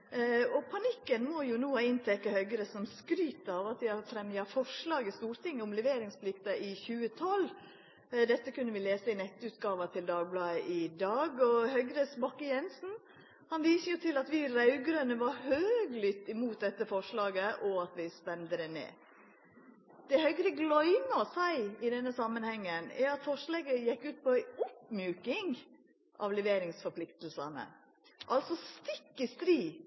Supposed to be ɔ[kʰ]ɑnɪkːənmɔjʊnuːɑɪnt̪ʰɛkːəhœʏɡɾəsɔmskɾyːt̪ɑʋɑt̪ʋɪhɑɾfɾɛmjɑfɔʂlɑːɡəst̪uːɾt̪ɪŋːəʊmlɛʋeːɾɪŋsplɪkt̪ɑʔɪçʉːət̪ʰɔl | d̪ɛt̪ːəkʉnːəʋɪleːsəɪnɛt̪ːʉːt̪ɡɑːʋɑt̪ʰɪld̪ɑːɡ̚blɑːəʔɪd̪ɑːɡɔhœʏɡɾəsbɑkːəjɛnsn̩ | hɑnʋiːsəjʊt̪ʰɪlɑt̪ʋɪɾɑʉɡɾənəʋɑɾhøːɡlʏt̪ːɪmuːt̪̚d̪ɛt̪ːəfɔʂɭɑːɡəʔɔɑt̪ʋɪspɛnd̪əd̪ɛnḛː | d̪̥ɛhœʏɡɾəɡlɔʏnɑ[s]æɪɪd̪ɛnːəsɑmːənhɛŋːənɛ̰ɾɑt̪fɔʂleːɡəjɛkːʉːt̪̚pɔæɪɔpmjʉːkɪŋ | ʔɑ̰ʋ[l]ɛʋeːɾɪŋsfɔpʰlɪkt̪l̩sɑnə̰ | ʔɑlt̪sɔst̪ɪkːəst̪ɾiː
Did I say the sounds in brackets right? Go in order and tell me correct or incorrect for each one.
incorrect: pʰ, correct, correct

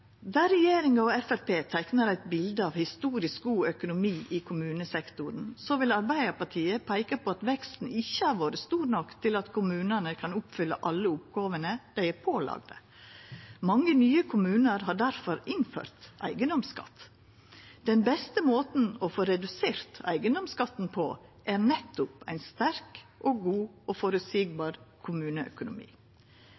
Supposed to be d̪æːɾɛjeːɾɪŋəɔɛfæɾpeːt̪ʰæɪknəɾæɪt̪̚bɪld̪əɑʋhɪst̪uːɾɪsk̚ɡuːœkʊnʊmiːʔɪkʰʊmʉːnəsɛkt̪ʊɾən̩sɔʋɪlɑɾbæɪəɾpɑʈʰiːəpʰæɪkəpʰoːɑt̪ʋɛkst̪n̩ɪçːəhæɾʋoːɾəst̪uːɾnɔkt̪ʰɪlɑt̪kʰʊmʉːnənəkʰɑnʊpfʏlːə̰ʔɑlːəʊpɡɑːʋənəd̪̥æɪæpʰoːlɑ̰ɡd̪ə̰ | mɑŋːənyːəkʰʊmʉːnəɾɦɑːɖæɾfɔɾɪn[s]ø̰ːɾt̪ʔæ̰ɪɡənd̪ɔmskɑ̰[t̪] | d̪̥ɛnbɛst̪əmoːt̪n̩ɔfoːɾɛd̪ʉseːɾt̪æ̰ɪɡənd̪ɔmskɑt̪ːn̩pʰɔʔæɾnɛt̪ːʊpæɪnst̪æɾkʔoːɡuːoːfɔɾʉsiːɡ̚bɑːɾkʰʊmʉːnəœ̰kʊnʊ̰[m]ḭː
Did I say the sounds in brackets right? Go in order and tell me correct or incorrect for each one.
incorrect: f, correct, correct

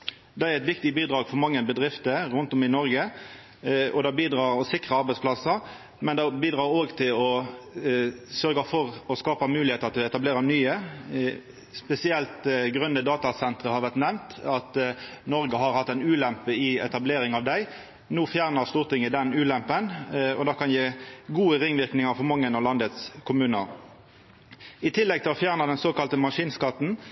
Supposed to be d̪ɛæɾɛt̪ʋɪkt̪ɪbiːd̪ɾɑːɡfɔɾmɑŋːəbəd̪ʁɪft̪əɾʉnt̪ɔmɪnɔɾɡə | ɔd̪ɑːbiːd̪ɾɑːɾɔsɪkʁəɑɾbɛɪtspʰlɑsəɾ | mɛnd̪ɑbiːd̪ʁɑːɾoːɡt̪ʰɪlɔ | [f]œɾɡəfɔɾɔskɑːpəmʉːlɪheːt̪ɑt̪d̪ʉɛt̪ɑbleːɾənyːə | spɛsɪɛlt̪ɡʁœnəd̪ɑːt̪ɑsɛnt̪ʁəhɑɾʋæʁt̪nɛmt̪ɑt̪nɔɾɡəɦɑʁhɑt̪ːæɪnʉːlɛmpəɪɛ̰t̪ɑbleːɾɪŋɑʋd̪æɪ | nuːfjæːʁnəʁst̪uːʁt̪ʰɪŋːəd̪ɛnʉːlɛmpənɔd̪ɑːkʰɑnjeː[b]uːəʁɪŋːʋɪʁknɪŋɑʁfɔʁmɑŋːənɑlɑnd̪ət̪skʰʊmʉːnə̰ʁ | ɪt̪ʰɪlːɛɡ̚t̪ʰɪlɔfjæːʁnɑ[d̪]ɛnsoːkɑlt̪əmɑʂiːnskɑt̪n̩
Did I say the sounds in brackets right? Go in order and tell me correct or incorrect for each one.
incorrect: s, incorrect: ɡ, correct

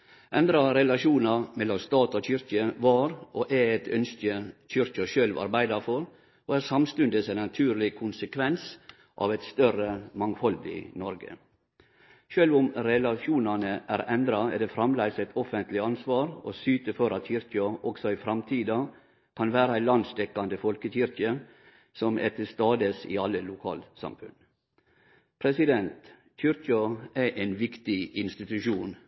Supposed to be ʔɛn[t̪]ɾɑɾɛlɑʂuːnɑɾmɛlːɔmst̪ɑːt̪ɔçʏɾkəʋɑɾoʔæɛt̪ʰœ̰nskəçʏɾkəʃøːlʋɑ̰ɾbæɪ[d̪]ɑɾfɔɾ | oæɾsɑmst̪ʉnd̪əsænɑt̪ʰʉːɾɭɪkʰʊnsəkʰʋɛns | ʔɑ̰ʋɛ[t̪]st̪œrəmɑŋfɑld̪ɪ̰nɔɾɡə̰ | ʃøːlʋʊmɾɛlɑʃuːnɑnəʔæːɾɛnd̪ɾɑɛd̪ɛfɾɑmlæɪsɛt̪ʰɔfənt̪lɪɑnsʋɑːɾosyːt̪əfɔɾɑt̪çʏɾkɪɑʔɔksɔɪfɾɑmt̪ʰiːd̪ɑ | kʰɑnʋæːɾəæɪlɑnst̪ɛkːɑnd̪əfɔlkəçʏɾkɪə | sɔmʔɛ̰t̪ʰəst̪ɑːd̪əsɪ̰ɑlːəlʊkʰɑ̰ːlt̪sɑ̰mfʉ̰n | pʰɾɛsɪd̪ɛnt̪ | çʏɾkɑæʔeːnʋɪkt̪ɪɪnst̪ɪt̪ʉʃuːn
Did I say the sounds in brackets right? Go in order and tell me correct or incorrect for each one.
incorrect: d̪, correct, correct

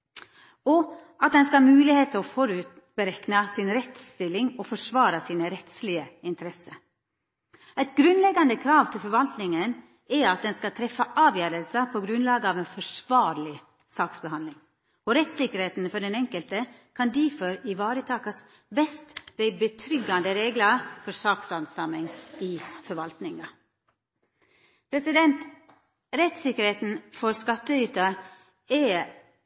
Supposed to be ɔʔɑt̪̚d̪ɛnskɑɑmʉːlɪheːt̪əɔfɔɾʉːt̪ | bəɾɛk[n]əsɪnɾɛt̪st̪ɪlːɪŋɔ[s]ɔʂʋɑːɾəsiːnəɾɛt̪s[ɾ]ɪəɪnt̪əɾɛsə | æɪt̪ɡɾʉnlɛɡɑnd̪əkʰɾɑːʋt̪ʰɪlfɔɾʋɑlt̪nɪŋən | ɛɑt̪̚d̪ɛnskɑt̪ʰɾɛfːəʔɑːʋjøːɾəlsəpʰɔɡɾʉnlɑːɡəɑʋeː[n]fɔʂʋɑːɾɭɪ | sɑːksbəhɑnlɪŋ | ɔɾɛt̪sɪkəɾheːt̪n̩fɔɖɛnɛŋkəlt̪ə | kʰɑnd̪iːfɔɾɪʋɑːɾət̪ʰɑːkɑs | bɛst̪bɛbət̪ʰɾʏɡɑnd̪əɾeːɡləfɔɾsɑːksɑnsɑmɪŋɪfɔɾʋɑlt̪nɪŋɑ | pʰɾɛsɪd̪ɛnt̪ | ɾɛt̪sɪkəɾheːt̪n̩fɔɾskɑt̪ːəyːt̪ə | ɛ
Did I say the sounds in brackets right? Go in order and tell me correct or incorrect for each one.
correct, incorrect: f, incorrect: l, correct

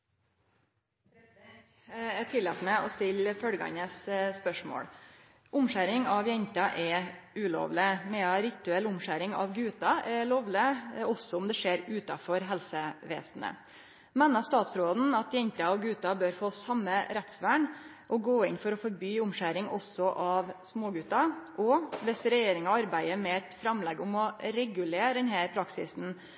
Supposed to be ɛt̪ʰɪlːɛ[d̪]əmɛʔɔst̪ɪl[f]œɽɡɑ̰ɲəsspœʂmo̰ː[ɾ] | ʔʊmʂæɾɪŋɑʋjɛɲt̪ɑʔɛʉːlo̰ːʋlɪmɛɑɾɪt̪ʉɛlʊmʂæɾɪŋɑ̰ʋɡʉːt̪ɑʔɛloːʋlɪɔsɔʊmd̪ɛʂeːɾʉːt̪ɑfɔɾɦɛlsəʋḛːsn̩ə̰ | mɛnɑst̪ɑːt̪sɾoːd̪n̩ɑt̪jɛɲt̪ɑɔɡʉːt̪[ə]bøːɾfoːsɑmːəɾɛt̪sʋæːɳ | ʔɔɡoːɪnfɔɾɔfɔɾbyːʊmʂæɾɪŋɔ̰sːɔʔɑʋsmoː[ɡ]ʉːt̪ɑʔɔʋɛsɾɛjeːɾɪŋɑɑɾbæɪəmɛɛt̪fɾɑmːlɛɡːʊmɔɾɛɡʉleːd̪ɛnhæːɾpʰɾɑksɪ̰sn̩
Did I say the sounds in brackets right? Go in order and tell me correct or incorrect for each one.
incorrect: t̪, correct, incorrect: ɽ, incorrect: ɑ, correct

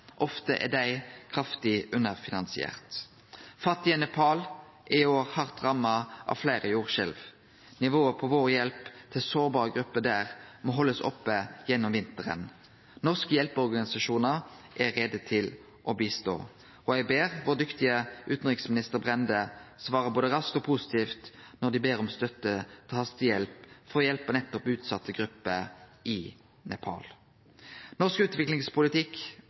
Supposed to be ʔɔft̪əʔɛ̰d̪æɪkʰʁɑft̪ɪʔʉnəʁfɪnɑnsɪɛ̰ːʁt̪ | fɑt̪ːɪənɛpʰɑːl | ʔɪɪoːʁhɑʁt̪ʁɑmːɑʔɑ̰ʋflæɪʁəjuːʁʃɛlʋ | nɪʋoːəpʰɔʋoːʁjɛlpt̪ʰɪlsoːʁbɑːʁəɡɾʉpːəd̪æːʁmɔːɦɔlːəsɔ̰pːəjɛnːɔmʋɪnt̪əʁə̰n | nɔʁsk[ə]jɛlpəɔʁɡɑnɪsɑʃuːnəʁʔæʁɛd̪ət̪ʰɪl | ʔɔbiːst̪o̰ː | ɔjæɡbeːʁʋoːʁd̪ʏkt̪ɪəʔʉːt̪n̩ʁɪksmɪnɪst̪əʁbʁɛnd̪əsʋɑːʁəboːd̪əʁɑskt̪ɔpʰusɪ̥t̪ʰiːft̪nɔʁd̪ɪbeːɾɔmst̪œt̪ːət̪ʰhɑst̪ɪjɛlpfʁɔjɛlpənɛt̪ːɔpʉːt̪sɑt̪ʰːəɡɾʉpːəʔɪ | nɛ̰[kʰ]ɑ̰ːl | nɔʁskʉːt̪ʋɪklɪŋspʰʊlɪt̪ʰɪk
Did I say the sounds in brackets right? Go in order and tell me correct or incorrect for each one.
correct, incorrect: pʰ

